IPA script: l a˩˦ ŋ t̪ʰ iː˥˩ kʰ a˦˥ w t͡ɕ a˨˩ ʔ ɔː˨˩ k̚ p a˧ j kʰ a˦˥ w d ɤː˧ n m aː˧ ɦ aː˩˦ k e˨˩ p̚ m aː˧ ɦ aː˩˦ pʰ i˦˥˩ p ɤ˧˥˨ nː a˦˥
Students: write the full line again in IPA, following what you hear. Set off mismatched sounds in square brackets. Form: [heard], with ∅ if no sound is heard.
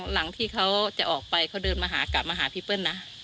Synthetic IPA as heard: l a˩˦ ŋ t̪ʰ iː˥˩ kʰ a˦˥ w t͡ɕ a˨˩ ʔ ɔː˨˩ k̚ p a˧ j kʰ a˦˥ w d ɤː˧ n m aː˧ ɦ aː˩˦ k [a˨˩] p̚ m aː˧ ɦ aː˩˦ pʰ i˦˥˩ p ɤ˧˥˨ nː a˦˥